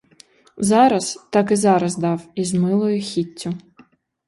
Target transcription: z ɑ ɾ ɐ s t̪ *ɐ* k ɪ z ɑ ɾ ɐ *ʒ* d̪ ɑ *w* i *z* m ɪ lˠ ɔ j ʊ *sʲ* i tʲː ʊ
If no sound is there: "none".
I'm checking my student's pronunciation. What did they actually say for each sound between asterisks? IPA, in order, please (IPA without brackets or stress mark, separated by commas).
ɑ, z, w, z, xʲ